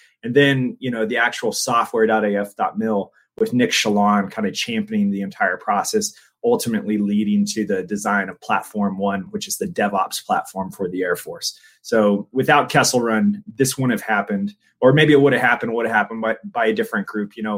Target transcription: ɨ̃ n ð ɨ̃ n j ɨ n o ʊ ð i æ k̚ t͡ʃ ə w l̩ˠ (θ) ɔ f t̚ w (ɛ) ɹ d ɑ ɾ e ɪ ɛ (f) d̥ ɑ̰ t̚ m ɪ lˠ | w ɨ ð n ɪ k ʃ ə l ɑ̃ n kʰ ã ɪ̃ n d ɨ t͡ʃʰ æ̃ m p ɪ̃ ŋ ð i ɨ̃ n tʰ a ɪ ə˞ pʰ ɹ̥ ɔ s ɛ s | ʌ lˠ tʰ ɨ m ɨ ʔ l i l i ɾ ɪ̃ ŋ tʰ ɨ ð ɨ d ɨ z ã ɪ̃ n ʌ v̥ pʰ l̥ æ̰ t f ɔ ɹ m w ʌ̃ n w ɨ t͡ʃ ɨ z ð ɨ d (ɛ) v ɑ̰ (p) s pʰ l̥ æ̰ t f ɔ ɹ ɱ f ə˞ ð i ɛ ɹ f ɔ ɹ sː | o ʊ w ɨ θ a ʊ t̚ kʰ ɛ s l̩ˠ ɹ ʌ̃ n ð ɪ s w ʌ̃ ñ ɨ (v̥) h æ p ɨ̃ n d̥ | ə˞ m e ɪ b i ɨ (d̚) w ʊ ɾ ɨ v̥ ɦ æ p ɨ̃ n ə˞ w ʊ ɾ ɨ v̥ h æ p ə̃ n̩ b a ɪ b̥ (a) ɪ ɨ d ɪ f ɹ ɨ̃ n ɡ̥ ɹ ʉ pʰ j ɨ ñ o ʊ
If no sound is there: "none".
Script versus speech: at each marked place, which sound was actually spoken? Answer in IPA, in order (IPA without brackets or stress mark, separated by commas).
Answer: s, ɛ, f, ɛ, p, v̥, t̚, a